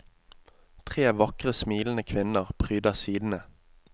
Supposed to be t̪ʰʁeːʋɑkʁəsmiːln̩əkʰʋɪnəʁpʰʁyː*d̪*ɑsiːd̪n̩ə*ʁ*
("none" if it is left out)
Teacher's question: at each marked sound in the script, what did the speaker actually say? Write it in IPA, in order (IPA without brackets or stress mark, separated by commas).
d̪, none